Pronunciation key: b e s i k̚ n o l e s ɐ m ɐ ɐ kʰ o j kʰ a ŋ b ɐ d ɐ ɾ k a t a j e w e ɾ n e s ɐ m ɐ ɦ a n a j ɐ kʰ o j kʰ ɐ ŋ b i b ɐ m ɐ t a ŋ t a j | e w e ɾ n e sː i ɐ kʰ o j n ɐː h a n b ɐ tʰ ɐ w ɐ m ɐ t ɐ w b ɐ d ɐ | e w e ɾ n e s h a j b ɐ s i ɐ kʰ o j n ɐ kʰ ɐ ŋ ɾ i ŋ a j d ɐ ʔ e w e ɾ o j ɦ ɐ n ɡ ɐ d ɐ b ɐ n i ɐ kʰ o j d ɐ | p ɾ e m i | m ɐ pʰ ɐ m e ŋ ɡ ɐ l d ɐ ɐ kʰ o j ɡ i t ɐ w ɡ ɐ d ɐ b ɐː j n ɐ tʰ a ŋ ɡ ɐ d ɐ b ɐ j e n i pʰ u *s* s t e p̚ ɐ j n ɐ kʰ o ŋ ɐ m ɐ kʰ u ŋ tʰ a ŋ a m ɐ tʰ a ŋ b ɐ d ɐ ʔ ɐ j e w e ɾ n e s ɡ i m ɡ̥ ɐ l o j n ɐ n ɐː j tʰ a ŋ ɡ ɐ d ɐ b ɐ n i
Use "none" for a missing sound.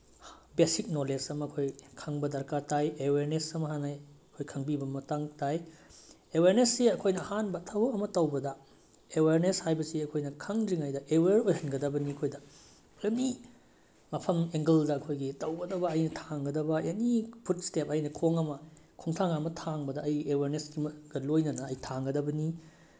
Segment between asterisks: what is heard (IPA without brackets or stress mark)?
t